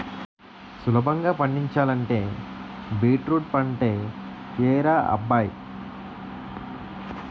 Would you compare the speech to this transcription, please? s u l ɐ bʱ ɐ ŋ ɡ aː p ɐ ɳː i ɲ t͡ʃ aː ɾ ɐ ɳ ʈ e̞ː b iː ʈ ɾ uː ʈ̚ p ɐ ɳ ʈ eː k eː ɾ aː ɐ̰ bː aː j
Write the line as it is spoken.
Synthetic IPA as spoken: s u l ɐ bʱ ɐ ŋ ɡ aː p ɐ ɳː i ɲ t͡ʃ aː l ɐ ɳ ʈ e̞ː b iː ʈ ɾ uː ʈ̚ p ɐ ɳ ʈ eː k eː ɾ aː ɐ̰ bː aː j